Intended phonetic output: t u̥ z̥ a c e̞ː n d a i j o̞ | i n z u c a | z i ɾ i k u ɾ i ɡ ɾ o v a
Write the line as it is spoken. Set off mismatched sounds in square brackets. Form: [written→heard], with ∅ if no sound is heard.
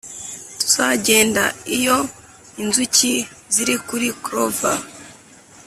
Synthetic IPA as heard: t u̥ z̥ a [c→ɟ] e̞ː n d a i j o̞ | i n z u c [a→i] | z i ɾ i k u ɾ i [ɡ→k] ɾ o v a